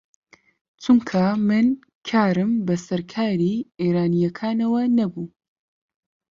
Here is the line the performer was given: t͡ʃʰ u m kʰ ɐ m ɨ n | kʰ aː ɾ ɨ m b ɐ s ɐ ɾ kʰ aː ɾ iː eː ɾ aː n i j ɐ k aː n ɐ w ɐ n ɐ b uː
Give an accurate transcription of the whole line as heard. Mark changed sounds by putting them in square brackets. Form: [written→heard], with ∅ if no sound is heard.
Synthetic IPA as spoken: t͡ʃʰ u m kʰ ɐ m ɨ n | kʰ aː ɾ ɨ m b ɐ s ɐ ɾ kʰ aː ɾ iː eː ɾ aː n i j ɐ [k→kʰ] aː n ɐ w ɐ n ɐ b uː